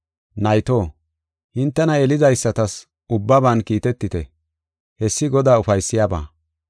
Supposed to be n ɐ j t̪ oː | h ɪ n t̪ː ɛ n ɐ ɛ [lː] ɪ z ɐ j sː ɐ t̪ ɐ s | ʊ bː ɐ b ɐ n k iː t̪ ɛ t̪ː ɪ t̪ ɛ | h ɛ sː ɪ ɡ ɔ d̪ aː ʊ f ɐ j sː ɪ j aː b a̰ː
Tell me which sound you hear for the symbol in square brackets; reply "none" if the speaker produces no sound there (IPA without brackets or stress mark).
l